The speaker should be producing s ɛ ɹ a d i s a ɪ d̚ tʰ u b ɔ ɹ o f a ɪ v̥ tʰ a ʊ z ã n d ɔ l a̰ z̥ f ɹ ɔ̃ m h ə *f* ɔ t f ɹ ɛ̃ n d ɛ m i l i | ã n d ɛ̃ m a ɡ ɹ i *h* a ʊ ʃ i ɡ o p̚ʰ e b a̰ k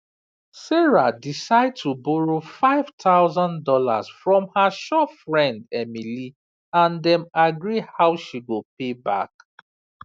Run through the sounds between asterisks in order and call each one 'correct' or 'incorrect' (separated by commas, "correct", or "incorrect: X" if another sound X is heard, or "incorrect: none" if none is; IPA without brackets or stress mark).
incorrect: ʃ, correct